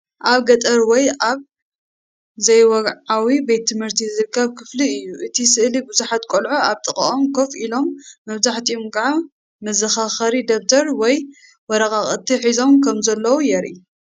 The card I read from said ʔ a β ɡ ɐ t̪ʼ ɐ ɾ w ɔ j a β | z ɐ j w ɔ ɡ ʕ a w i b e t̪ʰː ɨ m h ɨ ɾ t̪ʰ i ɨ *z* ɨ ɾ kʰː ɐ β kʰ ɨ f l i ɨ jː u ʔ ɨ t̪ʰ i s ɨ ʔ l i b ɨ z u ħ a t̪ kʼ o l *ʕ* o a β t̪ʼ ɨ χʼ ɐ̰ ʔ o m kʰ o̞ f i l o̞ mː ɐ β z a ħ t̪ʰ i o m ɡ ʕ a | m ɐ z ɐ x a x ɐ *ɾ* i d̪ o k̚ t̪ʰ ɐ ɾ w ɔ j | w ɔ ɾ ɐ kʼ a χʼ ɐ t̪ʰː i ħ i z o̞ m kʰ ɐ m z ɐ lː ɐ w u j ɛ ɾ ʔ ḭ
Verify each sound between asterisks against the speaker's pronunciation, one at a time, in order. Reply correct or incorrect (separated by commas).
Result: correct, correct, correct